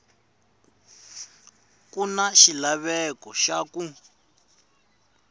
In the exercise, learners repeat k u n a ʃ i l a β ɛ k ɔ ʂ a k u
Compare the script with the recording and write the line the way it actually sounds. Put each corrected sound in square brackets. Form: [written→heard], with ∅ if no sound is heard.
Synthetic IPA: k u n a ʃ i l a β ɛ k ɔ [ʂ→ʃ] a k u

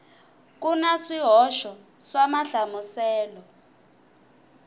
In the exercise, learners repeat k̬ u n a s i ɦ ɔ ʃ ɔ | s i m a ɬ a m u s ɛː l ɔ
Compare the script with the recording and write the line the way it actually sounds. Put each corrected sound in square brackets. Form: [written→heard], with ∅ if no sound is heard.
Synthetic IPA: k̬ u n a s i ɦ ɔ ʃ ɔ | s [i→a] m a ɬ a m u s ɛː l ɔ

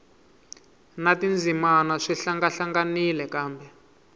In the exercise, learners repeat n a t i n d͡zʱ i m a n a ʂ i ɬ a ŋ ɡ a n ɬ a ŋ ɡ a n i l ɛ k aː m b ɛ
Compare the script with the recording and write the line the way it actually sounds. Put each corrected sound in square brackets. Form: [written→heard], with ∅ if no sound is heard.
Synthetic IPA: n a t i n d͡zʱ i m a n a ʂ i ɬ a ŋ ɡ a [n→∅] ɬ a ŋ ɡ a n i l ɛ k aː m b ɛ

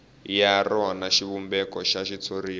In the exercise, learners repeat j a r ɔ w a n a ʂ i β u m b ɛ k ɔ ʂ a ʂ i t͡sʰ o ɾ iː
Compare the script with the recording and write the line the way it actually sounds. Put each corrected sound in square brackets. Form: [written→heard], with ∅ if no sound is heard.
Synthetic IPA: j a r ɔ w a n a [ʂ→ʃ] i β u m b ɛ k ɔ [ʂ→ʃ] a [ʂ→ʃ] i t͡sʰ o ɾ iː

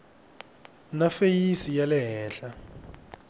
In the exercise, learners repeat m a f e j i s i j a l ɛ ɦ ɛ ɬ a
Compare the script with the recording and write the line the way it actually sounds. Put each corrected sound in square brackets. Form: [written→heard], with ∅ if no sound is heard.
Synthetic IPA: [m→n] a f e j i s i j a l ɛ ɦ [ɛ→ɛː] ɬ a

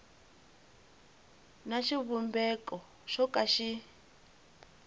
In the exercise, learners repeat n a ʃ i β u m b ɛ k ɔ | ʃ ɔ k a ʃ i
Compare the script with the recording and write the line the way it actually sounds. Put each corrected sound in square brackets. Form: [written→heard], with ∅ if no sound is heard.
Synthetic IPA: n a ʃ i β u m b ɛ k ɔ | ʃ ɔ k a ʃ i

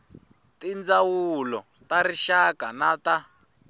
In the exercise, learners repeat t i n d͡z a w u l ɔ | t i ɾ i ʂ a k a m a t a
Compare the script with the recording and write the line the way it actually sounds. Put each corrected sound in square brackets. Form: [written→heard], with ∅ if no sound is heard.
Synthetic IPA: t i n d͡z a w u l ɔ | t [i→a] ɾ i [ʂ→ʃ] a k a [m→n] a t a

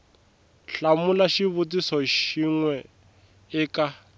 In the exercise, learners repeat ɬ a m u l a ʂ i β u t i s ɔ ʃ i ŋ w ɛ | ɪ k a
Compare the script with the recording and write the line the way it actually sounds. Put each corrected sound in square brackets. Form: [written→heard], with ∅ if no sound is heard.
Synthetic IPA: ɬ a m u l a [ʂ→ʃ] i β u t i s ɔ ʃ i ŋ w ɛ | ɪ k a

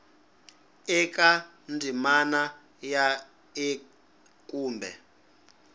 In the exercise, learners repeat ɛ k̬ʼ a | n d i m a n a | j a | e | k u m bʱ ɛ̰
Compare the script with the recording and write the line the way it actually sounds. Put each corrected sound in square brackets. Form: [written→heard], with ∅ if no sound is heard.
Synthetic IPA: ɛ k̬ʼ a | n d i m a n a | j a | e | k [u→uː] m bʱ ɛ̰

